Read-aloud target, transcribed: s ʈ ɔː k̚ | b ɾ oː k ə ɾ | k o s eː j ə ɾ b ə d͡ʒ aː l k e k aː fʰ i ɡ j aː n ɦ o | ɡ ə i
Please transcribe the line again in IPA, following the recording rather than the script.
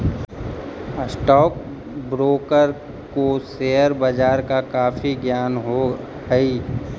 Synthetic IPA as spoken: s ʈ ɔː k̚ | b ɾ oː k ə ɾ | k o s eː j ə ɾ b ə d͡ʒ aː ɾ k a k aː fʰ i ɡ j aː n ɦ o | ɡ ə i